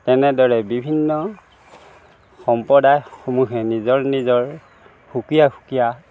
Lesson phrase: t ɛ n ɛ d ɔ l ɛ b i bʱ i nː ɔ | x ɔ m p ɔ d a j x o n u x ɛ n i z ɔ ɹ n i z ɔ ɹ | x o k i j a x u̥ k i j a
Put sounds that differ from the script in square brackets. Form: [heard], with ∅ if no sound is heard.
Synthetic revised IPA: t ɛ n ɛ d ɔ [ɹ] ɛ b i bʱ i nː ɔ | x ɔ m p ɔ d a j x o [m] u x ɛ n i z ɔ ɹ n i z ɔ ɹ | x [u] k i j a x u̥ k i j a